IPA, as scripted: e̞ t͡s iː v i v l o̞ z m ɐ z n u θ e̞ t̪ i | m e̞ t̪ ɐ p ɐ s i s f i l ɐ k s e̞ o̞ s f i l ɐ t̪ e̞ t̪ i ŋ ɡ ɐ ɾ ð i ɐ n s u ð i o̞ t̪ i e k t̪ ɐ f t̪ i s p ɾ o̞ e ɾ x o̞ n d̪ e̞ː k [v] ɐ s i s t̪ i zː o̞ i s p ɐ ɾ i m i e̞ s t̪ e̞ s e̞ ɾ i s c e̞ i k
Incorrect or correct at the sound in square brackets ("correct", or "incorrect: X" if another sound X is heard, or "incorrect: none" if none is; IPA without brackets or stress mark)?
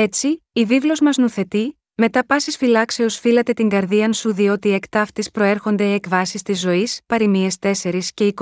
correct